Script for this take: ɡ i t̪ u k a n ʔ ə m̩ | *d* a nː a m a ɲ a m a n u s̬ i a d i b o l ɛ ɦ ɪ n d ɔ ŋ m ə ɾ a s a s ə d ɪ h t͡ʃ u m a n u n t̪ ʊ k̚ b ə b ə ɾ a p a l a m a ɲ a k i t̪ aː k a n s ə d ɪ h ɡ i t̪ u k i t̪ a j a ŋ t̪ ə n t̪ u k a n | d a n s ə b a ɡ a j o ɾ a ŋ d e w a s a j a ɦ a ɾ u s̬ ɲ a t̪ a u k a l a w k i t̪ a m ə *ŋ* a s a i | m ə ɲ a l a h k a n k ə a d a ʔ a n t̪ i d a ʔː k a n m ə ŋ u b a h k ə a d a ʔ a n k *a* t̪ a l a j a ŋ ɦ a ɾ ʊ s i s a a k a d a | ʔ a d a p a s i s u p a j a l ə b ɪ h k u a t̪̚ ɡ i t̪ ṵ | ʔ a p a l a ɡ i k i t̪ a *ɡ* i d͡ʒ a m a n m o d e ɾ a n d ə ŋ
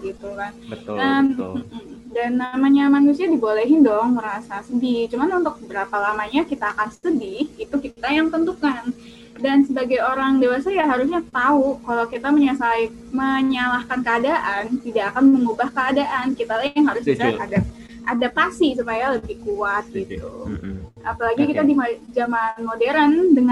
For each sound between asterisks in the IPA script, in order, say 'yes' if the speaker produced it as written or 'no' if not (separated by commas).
yes, no, no, no